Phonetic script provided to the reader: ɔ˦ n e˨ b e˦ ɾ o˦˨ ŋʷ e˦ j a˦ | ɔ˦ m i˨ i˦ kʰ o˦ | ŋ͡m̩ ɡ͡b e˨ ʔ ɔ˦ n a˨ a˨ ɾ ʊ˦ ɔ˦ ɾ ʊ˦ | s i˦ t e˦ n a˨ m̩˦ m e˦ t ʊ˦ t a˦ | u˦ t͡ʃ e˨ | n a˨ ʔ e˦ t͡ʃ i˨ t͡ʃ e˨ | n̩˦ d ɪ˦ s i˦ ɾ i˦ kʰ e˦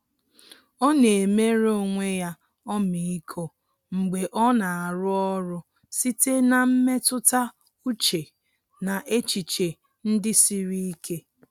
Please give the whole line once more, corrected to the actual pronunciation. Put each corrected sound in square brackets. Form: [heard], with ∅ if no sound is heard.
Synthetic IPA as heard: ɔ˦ n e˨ [m] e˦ ɾ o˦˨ ŋʷ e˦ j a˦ | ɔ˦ m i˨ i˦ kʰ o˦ | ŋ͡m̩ ɡ͡b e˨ ʔ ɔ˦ n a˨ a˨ ɾ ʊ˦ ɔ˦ ɾ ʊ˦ | s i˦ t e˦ n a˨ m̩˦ m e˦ t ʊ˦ t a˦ | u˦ t͡ʃ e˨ | n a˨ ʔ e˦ t͡ʃ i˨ t͡ʃ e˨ | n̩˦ d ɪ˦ s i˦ ɾ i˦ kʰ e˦